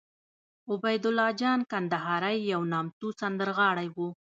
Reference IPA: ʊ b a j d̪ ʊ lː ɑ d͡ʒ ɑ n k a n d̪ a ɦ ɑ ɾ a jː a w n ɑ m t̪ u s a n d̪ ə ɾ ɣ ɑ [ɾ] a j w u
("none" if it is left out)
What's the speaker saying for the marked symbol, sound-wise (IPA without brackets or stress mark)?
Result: ɽ